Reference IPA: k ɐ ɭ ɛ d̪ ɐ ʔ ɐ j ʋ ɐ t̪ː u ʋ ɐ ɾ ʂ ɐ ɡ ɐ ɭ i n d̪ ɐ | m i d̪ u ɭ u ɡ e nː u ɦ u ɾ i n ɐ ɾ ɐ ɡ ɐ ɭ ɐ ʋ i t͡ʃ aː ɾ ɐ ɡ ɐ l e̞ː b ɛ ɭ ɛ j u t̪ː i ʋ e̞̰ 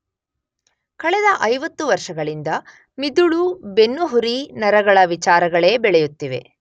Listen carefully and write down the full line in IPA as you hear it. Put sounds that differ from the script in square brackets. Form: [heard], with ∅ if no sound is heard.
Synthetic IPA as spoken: k ɐ ɭ ɛ d̪ ɐ ʔ ɐ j ʋ ɐ t̪ː u ʋ ɐ ɾ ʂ ɐ ɡ ɐ ɭ i n d̪ ɐ | m i d̪ u ɭ u [b] e nː u ɦ u ɾ i n ɐ ɾ ɐ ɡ ɐ ɭ ɐ ʋ i t͡ʃ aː ɾ ɐ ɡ ɐ [ɭ] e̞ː b ɛ ɭ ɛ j u t̪ː i ʋ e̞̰

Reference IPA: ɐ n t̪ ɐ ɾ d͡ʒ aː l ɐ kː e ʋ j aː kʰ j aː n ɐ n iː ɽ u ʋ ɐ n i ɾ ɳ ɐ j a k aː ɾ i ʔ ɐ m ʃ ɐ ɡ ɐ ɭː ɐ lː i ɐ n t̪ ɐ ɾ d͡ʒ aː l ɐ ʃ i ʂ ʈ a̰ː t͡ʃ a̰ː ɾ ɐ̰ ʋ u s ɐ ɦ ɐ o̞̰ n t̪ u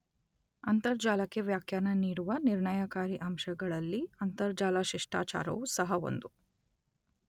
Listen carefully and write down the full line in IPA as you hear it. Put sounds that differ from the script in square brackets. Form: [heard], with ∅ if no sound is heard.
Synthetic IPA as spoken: ɐ n t̪ ɐ ɾ d͡ʒ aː l ɐ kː e ʋ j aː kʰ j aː n ɐ n iː ɽ u ʋ ɐ n i ɾ ɳ ɐ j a k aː ɾ i ʔ ɐ m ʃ ɐ ɡ ɐ [ɭ] ɐ lː i ɐ n t̪ ɐ ɾ d͡ʒ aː l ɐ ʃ i ʂ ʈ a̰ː t͡ʃ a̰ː ɾ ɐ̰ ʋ u s ɐ ɦ ɐ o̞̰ n [d̪] u

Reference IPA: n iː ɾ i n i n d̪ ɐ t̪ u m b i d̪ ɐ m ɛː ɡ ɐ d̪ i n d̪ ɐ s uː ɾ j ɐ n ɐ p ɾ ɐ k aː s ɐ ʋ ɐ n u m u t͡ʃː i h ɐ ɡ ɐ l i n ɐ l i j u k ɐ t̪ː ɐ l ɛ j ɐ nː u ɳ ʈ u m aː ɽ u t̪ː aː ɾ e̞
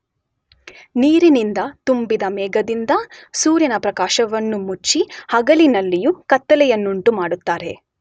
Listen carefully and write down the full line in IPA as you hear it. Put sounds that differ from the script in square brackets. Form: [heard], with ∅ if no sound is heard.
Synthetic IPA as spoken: n iː ɾ i n i n d̪ ɐ t̪ u m b i d̪ ɐ m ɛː ɡ ɐ d̪ i n d̪ ɐ s uː ɾ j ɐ n ɐ p ɾ ɐ k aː [ʃ] ɐ ʋ ɐ [nː] u m u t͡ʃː i h ɐ ɡ ɐ l i n ɐ [lː] i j u k ɐ t̪ː ɐ l ɛ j ɐ nː u ɳ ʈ u m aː ɽ u t̪ː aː ɾ e̞

